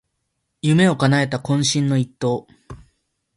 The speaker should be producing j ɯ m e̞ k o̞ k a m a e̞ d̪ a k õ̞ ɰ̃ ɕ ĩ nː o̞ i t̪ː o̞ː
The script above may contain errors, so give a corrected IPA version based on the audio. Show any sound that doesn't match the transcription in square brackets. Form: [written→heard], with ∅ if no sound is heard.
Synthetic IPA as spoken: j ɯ m e̞ [k→∅] o̞ k a [m→n] a e̞ [d̪→t̪] a k õ̞ ɰ̃ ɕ ĩ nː o̞ i t̪ː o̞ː